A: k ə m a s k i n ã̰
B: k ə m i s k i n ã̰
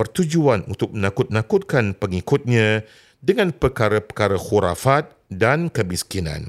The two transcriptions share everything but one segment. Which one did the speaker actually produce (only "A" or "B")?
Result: B